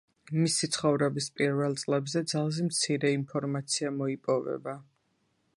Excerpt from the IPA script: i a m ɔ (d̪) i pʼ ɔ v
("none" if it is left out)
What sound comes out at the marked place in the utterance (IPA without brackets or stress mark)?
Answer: none